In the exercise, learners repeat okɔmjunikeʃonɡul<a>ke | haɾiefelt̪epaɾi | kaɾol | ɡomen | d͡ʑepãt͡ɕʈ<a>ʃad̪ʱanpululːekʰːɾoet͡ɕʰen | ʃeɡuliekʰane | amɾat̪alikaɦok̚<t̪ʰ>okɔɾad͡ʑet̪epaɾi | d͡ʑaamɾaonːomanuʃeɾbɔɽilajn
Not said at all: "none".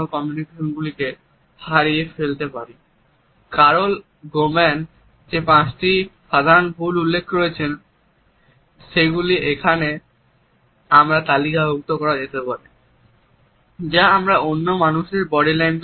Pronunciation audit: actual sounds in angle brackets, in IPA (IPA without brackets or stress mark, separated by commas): i, i, t̪